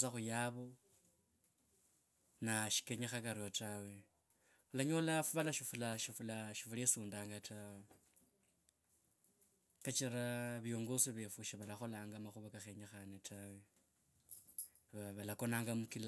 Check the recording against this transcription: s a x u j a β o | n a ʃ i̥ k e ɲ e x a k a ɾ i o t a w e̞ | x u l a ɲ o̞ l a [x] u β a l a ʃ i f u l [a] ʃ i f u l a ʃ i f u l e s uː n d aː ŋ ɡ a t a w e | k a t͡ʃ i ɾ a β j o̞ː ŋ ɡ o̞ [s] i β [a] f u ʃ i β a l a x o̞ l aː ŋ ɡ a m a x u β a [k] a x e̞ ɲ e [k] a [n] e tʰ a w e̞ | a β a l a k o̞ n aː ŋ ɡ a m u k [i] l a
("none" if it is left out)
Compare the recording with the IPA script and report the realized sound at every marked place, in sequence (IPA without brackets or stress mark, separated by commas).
f, a, s, e, k, x, n, i